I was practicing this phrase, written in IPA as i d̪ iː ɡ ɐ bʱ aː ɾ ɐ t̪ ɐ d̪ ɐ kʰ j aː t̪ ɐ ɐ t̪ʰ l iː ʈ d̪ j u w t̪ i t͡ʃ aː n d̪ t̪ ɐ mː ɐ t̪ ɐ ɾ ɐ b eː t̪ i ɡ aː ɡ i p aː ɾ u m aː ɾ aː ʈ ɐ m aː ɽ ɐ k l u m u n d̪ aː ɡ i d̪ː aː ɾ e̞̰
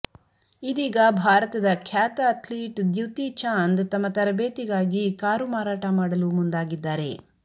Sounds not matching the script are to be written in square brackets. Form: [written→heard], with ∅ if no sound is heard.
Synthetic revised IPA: i d̪ iː ɡ ɐ bʱ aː ɾ ɐ t̪ ɐ d̪ ɐ kʰ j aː t̪ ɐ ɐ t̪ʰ l iː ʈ d̪ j u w t̪ i t͡ʃ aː n d̪ t̪ ɐ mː ɐ t̪ ɐ ɾ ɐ b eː t̪ i ɡ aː ɡ i [p→k] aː ɾ u m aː ɾ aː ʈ ɐ m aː ɽ ɐ [k→∅] l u m u n d̪ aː ɡ i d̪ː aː ɾ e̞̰